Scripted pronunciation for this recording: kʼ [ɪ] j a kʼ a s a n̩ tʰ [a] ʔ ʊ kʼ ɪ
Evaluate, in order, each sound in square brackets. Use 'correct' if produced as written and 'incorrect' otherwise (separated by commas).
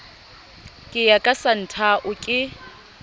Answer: correct, correct